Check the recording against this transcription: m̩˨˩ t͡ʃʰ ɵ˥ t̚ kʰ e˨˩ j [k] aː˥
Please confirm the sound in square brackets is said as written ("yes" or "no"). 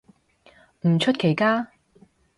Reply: yes